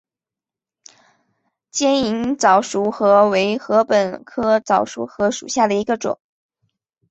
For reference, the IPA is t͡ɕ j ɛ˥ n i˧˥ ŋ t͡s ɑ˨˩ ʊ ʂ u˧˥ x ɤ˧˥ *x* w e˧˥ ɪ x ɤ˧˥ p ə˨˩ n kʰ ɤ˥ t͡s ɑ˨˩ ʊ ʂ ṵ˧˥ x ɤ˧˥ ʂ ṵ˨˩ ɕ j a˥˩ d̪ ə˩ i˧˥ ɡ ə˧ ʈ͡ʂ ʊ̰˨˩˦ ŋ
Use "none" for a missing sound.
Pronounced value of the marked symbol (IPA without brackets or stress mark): none